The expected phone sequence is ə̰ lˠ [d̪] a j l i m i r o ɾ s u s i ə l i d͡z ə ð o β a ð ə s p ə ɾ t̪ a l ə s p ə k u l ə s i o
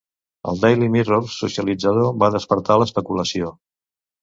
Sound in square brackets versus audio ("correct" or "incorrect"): correct